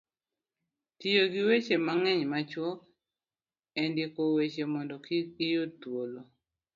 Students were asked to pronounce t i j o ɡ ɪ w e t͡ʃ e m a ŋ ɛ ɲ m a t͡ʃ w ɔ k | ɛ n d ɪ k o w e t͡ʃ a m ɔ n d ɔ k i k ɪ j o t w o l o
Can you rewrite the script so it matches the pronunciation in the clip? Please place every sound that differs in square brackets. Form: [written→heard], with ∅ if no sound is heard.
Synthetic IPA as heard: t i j o ɡ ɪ w e t͡ʃ e m a ŋ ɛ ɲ m a t͡ʃ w ɔ k | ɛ n d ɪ k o w e t͡ʃ [a→e] m ɔ n d ɔ k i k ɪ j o t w o l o